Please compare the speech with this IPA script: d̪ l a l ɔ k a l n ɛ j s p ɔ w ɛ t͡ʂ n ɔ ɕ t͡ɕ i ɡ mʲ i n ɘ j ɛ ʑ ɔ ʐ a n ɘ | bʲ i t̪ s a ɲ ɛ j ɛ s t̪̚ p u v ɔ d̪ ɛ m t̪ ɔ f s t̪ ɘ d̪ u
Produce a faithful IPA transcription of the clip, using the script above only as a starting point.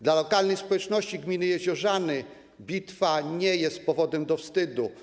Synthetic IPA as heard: d̪ l a l ɔ k a l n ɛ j s p ɔ w ɛ t͡ʂ n ɔ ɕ t͡ɕ i ɡ mʲ i n ɘ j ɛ ʑ ɔ ʐ a n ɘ | bʲ i t̪ f a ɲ ɛ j ɛ s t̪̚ p ɔ v ɔ d̪ ɛ m d̪ ɔ f s t̪ ɘ d̪ u